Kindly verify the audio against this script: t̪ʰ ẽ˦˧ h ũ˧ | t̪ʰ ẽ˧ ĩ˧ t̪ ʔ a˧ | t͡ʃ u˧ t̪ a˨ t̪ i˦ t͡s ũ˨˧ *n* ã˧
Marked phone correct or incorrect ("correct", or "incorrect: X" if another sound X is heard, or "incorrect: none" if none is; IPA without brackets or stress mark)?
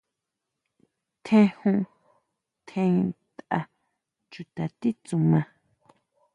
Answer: incorrect: m